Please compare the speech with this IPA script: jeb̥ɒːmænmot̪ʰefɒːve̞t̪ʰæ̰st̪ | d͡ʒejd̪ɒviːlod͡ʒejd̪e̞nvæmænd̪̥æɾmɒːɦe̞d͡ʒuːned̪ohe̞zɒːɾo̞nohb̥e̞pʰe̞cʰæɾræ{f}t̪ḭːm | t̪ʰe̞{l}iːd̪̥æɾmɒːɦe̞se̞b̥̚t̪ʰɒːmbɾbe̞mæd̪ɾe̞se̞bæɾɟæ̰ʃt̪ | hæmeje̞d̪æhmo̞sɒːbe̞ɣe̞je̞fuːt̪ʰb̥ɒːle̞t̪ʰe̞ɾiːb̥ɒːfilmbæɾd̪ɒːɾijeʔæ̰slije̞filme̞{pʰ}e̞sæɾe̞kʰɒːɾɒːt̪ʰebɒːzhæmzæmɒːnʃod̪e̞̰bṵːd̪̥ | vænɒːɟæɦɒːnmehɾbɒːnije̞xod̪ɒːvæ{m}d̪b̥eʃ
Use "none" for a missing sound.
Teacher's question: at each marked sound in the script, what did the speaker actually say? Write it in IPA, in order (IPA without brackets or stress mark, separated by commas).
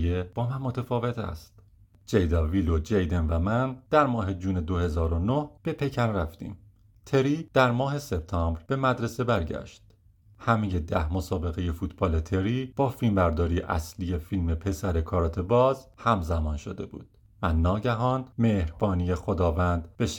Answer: f, ɾ, pʰ, n